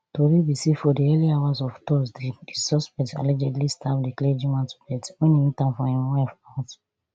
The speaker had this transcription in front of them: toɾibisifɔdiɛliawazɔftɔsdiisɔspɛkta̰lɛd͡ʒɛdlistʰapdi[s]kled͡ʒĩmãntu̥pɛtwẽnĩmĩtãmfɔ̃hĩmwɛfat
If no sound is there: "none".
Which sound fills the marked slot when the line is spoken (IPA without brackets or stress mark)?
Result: none